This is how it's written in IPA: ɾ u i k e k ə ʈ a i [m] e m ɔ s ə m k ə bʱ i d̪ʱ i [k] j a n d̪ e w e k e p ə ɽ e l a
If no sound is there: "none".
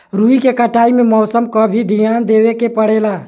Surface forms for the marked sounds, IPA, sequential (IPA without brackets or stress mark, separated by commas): m, none